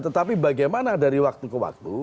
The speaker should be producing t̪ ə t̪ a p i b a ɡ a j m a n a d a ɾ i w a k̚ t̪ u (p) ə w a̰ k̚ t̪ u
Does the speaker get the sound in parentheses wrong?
yes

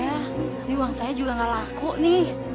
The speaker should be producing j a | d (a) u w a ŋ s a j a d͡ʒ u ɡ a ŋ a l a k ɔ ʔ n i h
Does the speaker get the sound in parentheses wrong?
yes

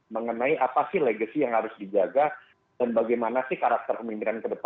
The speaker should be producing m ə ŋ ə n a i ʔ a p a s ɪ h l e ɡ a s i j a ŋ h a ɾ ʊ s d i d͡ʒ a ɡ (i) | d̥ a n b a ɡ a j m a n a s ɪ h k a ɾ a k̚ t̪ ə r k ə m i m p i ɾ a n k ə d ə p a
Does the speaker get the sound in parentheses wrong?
yes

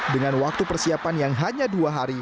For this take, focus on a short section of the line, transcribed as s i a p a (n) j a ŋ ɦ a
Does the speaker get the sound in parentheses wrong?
no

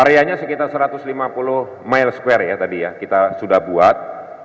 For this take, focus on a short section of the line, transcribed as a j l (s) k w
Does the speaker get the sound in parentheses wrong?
no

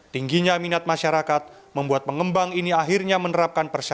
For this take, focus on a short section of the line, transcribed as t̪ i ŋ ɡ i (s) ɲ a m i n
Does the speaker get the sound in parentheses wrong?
yes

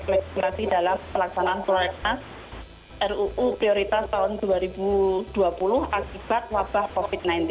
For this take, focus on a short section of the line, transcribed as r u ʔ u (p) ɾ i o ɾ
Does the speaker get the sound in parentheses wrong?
no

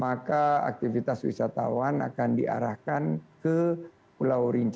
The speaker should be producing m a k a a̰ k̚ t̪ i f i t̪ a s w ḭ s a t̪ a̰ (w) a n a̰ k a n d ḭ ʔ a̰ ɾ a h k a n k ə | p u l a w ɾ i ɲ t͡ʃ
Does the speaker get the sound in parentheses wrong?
no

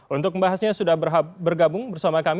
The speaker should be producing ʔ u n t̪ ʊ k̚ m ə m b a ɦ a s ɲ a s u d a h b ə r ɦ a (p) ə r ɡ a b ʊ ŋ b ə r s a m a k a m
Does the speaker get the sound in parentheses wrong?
yes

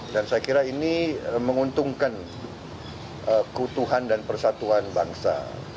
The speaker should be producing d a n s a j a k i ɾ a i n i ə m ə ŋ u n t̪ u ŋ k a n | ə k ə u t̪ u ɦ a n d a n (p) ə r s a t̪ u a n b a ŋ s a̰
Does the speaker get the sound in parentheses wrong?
no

